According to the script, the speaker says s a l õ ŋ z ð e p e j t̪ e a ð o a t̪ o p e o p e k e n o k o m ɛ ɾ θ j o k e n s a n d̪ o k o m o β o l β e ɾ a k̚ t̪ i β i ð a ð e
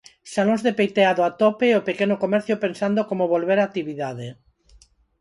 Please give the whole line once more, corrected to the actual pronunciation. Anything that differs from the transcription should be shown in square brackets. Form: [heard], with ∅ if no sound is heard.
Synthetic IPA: s a l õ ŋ z ð e p e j t̪ e a ð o a t̪ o p e o p e k e n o k o m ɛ ɾ θ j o [p] e n s a n d̪ o k o m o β o l β e ɾ a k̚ t̪ i β i ð a ð e